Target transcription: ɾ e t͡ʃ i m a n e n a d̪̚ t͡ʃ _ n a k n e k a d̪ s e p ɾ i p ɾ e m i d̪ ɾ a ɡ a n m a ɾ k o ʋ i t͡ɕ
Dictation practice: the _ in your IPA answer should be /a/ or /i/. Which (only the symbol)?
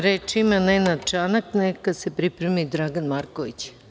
a